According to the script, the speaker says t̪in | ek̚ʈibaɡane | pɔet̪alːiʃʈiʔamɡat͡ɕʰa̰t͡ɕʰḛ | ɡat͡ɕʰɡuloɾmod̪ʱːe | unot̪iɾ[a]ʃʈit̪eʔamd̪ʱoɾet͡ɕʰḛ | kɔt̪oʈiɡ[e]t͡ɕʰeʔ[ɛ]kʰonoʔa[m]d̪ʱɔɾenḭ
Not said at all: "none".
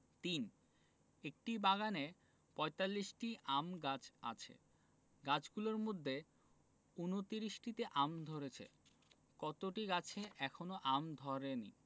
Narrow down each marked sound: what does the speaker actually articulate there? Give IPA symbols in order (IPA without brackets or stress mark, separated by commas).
i, a, ɛ, m